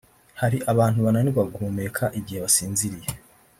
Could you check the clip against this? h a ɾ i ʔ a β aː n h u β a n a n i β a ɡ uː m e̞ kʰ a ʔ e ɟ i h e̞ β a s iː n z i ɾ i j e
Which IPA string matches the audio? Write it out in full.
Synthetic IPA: h a ɾ i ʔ a β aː n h u β a n a n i β a ɡ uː m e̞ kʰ a ʔ i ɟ i h e̞ β a s iː n z i ɾ i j e

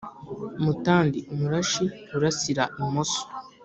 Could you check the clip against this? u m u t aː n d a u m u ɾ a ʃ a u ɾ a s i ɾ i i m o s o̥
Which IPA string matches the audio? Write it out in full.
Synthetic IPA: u m u t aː n d i u m u ɾ a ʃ i u ɾ a s i ɾ a i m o s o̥

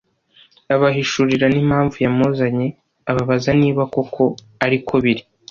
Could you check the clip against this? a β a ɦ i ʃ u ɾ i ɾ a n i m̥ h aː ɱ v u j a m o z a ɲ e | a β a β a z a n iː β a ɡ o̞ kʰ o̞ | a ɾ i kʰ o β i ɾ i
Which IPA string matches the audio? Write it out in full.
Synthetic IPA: a β a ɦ i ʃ u ɾ i ɾ a n i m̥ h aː ɱ v u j a m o z a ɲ e | a β a β a z a n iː β a k o̞ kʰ o̞ | a ɾ i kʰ o β i ɾ i

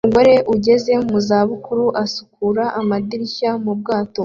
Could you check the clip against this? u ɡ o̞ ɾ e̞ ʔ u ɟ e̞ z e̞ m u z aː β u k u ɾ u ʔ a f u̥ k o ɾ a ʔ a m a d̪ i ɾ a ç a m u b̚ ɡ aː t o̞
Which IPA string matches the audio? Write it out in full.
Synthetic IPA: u ɡ o̞ ɾ e̞ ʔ u ɟ e̞ z e̞ m u z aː β u k u ɾ u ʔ a s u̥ k u ɾ a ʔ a m a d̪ i ɾ i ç a m u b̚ ɡ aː t o̞

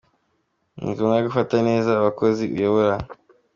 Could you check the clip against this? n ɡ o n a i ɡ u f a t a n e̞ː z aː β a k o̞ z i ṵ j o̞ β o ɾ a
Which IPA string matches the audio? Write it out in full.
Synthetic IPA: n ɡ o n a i ɡ u f a t a n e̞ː z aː β a k o̞ z i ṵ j o̞ β o ɾ a

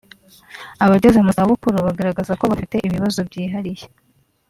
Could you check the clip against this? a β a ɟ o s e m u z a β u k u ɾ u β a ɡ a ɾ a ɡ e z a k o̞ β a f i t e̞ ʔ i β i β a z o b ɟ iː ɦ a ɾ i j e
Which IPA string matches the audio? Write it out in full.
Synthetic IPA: a β a ɟ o z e m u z a β u k u ɾ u β a ɡ a ɾ a ɡ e z a k o̞ β a f i t e̞ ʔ i β i β a z o b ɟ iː ɦ a ɾ i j e

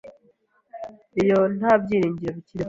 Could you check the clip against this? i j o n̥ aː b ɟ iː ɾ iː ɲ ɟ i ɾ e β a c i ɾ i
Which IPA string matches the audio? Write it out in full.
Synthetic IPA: i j o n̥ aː b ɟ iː ɾ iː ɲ ɟ i ɾ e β i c i ɾ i

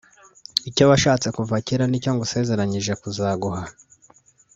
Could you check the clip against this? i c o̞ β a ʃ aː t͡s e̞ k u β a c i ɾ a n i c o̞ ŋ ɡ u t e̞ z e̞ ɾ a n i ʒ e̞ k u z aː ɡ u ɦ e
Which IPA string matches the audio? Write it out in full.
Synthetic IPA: i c o̞ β a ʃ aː t͡s e̞ k u v a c i ɾ a n i c o̞ ŋ ɡ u s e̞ z e̞ ɾ a ɲ i ʒ e̞ k u z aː ɡ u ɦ a

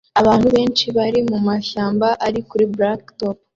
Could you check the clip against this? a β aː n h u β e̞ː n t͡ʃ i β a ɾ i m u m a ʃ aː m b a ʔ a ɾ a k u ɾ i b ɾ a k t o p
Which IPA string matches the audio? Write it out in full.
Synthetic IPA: a β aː n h u β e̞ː n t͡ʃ i β a ɾ i m u m a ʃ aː m b a ʔ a ɾ i k u ɾ i b ɾ a k t o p

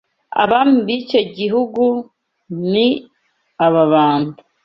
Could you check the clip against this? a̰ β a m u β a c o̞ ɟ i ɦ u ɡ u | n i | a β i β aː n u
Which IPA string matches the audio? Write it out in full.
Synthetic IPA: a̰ β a m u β i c o̞ ɟ i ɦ u ɡ u | n i | a β a β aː n u

